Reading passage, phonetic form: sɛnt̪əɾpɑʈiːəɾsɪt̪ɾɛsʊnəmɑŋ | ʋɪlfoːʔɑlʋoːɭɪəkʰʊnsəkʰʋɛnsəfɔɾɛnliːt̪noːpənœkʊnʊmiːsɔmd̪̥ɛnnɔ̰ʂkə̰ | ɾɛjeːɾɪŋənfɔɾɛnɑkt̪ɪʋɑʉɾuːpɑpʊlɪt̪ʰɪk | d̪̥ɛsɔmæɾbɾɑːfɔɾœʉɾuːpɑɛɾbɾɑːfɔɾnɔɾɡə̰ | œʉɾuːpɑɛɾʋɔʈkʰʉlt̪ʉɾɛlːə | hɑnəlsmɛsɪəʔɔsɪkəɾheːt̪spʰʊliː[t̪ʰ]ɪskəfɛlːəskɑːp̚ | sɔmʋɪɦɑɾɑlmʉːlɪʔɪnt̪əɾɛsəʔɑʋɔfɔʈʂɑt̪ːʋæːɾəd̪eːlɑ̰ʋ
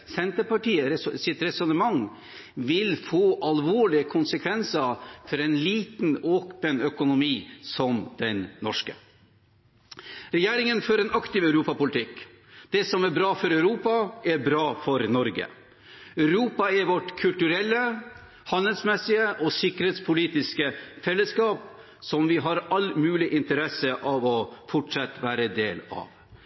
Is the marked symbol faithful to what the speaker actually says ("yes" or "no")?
no